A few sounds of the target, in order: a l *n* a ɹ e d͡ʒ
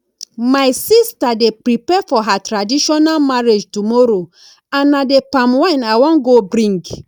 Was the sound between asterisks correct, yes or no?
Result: no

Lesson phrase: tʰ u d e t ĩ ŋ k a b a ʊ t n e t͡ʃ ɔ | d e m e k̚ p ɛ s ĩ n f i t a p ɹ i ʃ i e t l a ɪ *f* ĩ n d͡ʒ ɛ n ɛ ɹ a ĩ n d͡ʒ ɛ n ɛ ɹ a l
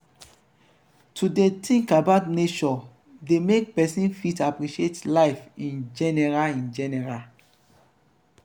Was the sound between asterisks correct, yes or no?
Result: yes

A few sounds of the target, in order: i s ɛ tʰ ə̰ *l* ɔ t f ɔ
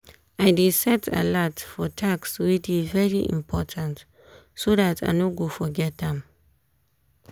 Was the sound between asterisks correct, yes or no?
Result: yes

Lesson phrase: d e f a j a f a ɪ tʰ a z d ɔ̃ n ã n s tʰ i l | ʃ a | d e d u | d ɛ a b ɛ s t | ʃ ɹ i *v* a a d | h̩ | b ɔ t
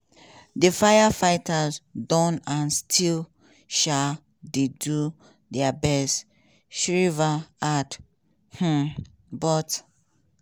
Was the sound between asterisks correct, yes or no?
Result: yes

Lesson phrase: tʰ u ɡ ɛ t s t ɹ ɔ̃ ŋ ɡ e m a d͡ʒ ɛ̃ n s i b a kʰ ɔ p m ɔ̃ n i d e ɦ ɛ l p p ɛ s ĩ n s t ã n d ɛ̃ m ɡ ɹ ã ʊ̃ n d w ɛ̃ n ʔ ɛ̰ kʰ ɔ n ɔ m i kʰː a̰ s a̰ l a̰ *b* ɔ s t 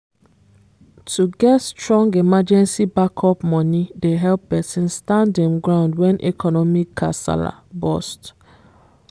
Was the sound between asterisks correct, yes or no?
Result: yes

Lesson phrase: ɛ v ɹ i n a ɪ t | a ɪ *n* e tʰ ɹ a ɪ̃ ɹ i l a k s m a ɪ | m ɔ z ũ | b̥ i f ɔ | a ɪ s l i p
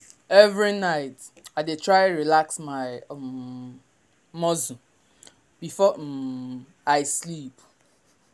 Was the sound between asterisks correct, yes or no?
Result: no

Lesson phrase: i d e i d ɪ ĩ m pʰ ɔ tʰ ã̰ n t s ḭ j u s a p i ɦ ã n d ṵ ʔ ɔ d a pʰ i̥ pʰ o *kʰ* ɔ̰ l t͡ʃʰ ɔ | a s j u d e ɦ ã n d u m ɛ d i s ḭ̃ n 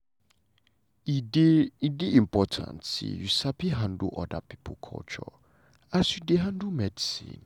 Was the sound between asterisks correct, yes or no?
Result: yes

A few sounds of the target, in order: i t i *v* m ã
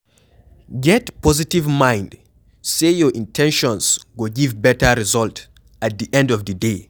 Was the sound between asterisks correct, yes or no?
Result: yes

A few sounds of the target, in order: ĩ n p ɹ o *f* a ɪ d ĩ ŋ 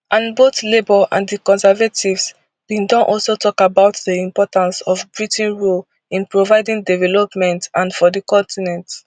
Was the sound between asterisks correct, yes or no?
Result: no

